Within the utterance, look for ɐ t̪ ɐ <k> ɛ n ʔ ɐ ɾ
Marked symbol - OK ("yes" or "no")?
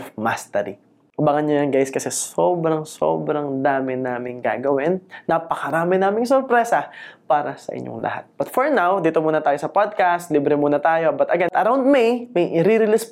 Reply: no